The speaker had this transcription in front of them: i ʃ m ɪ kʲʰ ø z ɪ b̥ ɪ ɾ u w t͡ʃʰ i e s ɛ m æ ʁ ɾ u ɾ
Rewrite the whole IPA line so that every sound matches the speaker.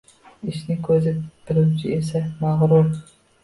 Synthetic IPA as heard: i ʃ n ɪ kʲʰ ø z ɪ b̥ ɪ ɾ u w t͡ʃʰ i e s ɛ m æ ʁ ɾ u ɾ